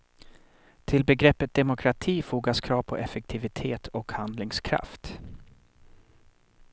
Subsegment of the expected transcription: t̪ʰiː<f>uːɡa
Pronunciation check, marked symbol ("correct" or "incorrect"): correct